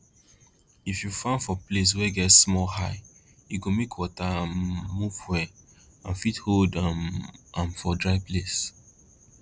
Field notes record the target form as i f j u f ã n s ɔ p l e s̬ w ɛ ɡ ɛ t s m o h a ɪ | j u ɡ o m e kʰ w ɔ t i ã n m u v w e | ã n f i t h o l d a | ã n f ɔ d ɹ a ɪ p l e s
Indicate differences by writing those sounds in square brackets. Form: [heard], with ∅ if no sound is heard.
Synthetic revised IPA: i f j u f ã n [f] ɔ p l e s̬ w ɛ ɡ ɛ t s m [ɔ] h a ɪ | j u ɡ o m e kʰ w ɔ t [a] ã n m u v w [ɛ] | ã n f i t h o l d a | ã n f ɔ d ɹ a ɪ p l e s

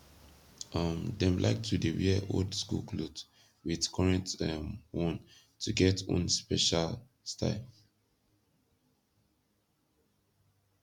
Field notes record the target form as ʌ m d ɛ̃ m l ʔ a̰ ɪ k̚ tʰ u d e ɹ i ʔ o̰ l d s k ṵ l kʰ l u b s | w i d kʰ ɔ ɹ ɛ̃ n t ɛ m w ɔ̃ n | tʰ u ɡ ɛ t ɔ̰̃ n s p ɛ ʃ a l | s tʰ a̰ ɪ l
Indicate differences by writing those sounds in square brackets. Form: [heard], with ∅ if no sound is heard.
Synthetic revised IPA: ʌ m d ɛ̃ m l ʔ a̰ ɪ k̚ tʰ u d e ɹ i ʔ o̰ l d s k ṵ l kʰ l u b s | w i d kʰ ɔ ɹ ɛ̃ n t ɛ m w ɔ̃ n | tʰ u ɡ ɛ t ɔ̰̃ n s p ɛ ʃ a l | s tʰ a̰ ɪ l

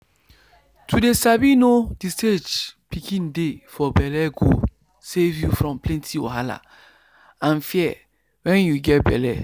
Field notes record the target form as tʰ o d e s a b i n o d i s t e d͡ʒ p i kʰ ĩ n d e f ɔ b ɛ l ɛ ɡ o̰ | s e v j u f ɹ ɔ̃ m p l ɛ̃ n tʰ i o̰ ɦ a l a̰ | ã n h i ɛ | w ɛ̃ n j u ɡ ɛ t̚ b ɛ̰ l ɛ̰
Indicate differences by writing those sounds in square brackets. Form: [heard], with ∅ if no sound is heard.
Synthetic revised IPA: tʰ [u] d e s a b i n o d i s t e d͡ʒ p i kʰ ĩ n d e f ɔ b ɛ l ɛ ɡ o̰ | s e v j u f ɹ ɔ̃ m p l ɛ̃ n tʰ i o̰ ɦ a l a̰ | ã n [f] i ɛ | w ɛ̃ n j u ɡ ɛ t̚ b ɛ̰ l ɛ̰

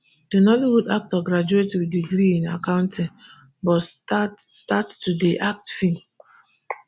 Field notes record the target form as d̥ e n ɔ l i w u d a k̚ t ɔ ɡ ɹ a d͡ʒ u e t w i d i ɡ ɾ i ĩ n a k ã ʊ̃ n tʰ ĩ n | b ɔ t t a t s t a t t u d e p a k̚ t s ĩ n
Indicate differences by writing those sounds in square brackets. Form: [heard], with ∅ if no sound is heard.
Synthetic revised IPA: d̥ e n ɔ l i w u d a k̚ t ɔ ɡ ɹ a d͡ʒ u e t w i d i ɡ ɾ i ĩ n a k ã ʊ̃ n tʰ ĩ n | b ɔ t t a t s t a t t u d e [ʔ] a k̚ t [f] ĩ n

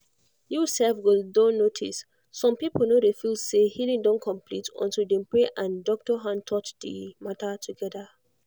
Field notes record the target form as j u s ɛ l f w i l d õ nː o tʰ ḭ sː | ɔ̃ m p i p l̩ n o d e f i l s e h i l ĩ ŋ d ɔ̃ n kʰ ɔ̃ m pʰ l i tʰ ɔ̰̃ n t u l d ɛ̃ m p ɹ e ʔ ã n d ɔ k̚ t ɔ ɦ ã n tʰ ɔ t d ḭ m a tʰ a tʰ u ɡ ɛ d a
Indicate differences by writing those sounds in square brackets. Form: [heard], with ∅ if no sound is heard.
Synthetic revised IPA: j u s ɛ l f w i l d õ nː o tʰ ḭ sː | ɔ̃ m p i p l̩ n o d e f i l s e h i l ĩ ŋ d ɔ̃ n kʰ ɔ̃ m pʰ l i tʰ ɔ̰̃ n t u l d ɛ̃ m p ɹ e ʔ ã n d ɔ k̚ t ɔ ɦ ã n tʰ ɔ t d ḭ m a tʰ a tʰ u ɡ ɛ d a

